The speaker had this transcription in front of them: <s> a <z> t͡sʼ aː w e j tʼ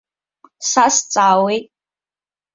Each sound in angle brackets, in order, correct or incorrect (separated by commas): correct, incorrect